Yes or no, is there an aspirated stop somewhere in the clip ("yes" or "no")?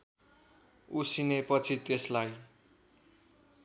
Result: yes